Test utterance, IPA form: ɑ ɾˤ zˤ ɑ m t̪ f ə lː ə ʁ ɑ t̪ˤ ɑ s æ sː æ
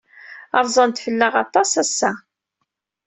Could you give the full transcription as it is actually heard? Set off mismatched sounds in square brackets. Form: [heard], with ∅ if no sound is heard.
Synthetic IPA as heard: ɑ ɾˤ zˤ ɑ [n] t̪ f ə lː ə ʁ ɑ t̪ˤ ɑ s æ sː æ